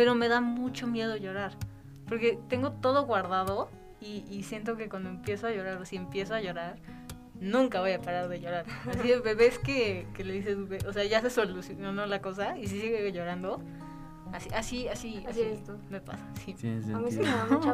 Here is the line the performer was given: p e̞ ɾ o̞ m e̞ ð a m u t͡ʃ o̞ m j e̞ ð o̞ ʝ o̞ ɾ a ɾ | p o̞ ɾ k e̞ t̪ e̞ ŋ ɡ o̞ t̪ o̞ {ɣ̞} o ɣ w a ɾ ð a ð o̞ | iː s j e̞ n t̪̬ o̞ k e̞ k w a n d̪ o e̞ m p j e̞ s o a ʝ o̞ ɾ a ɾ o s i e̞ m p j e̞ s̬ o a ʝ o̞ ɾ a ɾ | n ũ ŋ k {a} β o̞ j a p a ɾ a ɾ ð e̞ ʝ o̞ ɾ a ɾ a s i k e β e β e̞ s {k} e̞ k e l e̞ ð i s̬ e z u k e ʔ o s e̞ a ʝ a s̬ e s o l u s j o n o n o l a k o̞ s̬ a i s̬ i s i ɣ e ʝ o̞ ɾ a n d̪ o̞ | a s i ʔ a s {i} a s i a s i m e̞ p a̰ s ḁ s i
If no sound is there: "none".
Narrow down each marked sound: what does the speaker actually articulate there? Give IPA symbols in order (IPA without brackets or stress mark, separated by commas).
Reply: ð̞, a, k, i